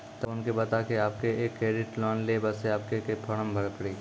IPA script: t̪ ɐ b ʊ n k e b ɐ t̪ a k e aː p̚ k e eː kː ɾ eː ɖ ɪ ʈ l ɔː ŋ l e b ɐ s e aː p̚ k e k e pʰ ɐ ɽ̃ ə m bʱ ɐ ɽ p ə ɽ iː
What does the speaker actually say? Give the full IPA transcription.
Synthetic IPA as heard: t̪ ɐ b ʊ n k e b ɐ t̪ a k e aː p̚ k e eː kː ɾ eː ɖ ɪ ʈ l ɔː n l e b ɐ s e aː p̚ k e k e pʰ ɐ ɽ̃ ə m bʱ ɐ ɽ p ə ɽ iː